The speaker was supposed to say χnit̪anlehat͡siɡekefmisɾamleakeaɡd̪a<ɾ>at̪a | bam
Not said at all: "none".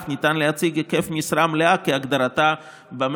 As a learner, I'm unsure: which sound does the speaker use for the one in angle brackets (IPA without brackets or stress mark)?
ɾ